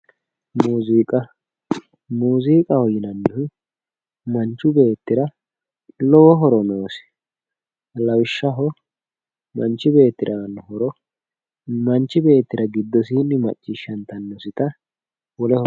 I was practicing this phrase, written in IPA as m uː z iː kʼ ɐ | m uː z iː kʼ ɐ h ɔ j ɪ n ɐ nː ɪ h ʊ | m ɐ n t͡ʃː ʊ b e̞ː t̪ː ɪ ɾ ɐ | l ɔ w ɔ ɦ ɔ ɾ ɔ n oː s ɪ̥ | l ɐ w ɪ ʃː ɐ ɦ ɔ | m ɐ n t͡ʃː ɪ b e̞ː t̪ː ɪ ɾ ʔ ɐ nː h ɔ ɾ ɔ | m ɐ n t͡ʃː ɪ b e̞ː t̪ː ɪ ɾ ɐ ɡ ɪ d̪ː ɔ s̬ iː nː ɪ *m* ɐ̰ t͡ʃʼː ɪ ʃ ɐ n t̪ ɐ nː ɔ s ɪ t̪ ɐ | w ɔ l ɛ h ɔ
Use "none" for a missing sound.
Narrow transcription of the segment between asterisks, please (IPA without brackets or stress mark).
m